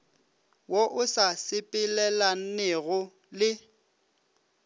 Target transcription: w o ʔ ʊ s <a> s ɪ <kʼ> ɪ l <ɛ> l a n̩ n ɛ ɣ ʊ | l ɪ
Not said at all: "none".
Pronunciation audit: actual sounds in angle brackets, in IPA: a, pʼ, ɛ

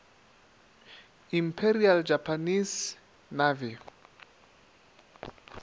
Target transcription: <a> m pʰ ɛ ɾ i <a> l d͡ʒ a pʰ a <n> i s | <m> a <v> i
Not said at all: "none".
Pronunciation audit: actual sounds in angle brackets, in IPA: i, a, n, n, v

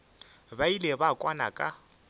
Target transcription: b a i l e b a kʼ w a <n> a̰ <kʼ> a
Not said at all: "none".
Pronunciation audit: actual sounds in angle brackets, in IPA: n, kʼ

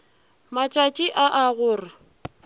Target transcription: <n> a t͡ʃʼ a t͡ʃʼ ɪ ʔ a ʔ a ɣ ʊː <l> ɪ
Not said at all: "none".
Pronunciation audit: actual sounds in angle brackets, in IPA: m, r

